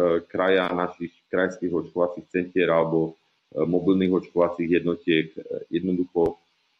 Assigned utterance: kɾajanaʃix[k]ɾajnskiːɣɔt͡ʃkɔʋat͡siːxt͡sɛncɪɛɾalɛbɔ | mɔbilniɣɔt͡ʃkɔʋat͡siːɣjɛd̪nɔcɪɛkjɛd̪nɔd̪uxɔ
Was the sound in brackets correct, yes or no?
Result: yes